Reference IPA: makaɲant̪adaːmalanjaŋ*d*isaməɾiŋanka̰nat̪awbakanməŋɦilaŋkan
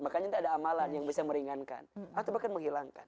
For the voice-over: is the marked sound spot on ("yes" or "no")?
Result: no